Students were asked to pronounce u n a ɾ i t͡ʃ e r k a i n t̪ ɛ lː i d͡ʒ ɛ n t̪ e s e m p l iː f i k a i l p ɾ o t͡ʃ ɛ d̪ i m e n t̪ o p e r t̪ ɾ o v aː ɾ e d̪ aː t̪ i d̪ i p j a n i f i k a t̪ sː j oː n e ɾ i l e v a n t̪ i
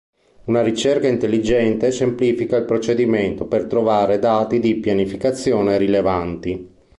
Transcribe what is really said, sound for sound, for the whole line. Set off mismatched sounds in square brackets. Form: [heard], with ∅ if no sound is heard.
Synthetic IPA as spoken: u n a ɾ i t͡ʃ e r k a i n t̪ [e] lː i d͡ʒ ɛ n t̪ e s e m p l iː f i k a i l p ɾ o t͡ʃ [e] d̪ i m e n t̪ o p e r t̪ ɾ o v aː ɾ e d̪ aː t̪ i d̪ i p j a n i f i k a t̪ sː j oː n e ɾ i l e v a n t̪ i